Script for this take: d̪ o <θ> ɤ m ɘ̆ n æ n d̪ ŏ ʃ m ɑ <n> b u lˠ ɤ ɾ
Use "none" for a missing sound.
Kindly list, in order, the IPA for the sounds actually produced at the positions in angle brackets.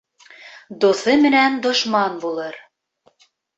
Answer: θ, n

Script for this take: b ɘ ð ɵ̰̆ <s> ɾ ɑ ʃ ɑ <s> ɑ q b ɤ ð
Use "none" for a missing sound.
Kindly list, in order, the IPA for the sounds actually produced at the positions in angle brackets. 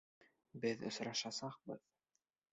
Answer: s, s

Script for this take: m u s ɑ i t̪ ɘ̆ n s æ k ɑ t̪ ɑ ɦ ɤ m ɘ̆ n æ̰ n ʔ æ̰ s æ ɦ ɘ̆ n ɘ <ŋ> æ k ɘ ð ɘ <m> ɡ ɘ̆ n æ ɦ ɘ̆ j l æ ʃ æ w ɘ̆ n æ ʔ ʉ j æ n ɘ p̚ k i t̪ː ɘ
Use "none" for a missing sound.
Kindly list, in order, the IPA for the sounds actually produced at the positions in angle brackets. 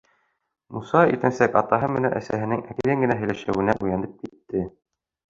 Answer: ŋ, ŋ

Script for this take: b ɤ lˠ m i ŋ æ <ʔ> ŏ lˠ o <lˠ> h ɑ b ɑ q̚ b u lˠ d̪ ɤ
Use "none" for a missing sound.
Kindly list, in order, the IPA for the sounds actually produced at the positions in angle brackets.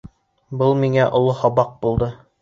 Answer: ʔ, none

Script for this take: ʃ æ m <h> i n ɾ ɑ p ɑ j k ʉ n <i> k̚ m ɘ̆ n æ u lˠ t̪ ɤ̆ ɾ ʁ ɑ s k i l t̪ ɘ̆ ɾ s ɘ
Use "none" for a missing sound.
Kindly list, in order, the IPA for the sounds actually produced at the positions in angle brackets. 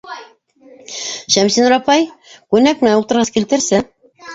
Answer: s, æ

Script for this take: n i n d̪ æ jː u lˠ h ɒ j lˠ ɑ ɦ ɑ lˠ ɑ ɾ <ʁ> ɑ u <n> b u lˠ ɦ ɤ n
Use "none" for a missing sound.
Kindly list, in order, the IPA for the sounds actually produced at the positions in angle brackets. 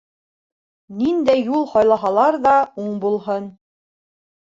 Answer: ð, ɴ

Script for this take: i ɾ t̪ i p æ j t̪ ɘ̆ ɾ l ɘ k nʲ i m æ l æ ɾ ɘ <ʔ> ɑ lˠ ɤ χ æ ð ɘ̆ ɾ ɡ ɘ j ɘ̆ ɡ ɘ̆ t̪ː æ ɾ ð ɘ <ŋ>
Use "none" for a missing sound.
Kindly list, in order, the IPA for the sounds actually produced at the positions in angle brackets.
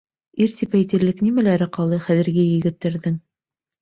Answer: q, ŋ

